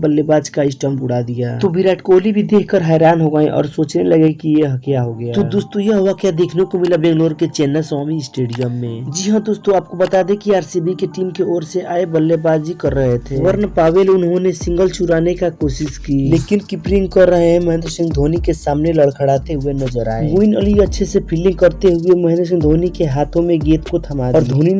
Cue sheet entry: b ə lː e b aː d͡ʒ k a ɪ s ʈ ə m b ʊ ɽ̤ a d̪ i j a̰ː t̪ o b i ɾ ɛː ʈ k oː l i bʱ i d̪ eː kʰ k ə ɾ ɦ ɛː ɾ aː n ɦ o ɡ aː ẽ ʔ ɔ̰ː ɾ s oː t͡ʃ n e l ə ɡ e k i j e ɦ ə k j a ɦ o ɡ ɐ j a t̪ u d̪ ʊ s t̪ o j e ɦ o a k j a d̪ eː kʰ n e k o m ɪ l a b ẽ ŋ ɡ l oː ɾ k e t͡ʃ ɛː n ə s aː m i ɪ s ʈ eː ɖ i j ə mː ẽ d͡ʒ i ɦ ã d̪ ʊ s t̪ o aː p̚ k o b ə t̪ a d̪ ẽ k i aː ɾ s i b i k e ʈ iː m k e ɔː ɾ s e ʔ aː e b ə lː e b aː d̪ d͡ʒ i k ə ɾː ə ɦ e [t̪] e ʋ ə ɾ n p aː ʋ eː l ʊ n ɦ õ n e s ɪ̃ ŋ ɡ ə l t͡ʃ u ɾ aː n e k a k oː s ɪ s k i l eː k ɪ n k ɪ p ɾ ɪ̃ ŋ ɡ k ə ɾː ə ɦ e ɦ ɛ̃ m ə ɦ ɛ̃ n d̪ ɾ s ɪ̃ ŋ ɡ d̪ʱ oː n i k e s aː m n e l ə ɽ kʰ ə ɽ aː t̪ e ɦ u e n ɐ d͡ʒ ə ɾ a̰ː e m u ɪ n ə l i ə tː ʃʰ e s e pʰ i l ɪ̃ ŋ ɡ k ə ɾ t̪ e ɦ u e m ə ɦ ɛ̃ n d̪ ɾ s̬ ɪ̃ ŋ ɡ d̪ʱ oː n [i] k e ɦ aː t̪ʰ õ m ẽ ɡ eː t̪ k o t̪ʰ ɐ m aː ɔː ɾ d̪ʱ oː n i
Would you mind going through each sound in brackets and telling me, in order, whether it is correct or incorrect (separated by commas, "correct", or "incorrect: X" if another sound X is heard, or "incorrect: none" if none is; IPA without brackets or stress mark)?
incorrect: t̪ʰ, correct